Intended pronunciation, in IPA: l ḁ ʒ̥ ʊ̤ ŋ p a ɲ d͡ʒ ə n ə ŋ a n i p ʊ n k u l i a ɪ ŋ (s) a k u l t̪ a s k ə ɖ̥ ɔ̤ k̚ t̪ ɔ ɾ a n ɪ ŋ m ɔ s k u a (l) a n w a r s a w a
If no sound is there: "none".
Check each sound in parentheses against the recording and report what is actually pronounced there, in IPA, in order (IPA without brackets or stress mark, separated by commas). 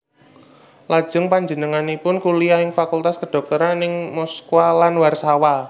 f, l